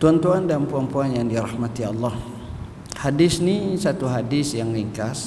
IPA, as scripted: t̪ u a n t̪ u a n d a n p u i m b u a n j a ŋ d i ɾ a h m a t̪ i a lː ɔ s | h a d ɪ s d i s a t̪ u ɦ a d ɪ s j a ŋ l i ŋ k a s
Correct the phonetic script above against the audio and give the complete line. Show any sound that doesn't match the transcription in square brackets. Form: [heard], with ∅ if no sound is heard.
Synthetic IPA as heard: t̪ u a n t̪ u a n d a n p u [a] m [p] u a n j a ŋ d i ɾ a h m a t̪ i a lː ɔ [h] | h a d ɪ s [n] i s a t̪ u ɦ a d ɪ s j a ŋ l i ŋ k a s